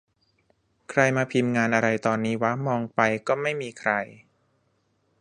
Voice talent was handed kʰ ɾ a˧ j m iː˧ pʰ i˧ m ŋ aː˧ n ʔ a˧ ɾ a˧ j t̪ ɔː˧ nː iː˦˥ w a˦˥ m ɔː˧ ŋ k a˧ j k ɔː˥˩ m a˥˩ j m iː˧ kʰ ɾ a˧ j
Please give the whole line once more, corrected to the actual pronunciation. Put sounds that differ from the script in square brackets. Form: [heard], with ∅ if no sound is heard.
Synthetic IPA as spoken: kʰ ɾ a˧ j m [aː˧] pʰ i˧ m ŋ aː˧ n ʔ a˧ ɾ a˧ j t̪ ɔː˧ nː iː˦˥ w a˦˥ m ɔː˧ ŋ [p] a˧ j k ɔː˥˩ m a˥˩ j m iː˧ kʰ ɾ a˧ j